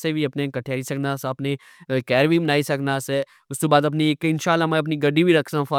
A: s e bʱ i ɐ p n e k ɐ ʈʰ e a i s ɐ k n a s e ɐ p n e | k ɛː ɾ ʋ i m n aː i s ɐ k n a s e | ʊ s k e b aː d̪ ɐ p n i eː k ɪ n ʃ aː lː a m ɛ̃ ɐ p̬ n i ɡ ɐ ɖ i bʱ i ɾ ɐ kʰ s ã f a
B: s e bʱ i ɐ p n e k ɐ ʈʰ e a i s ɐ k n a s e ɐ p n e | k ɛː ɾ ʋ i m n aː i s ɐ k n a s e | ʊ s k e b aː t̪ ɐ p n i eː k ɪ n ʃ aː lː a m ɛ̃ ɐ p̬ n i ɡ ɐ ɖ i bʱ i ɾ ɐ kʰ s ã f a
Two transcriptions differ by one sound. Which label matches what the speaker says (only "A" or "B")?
A